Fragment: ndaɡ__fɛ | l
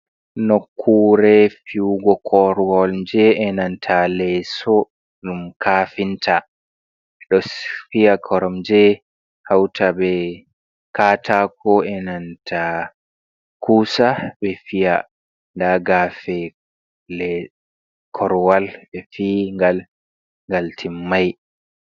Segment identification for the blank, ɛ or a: a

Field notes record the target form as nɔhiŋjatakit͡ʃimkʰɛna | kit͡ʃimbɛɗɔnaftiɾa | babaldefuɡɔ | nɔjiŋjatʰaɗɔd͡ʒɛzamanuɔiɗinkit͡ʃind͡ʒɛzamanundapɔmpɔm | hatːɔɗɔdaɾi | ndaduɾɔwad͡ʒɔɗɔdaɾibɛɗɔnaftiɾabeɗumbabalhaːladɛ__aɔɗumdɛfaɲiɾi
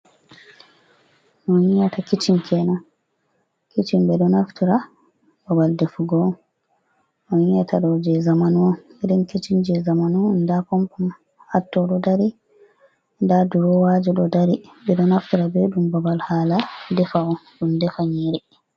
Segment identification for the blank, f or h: f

